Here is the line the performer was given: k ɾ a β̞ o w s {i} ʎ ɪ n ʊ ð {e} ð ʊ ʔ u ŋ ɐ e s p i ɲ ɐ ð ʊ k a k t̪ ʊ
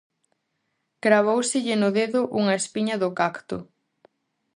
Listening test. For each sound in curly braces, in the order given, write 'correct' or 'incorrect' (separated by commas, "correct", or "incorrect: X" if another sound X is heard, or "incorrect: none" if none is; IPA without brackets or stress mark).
incorrect: ɪ, correct